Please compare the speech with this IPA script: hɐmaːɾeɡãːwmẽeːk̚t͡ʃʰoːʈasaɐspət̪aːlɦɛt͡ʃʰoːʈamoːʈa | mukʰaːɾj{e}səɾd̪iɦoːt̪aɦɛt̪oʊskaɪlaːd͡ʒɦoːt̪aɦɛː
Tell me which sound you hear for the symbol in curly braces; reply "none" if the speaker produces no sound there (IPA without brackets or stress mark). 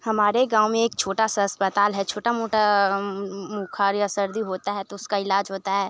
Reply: a